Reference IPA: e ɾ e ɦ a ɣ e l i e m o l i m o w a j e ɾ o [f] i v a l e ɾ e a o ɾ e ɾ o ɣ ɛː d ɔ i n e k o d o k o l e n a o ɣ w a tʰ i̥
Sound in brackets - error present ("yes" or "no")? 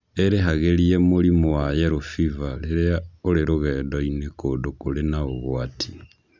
no